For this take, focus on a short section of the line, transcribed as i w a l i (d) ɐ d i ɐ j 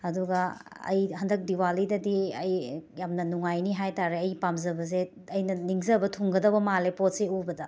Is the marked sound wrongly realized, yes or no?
no